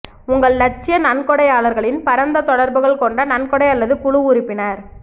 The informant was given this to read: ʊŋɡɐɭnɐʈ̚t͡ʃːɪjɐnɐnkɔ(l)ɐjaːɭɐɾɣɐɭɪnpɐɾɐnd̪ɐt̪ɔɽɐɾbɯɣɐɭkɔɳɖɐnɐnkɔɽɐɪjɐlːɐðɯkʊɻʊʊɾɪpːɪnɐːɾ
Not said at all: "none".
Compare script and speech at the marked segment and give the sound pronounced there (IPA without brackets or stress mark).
ɽ